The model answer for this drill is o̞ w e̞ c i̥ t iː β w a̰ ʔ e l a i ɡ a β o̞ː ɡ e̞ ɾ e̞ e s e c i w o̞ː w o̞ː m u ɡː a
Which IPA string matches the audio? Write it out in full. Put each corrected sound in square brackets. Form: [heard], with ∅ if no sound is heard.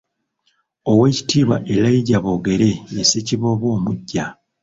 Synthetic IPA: o̞ w e̞ c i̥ t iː β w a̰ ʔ e l a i [ɟ] a β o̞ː ɡ e̞ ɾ e̞ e s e c i [β] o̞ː [β] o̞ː m u [ɟː] a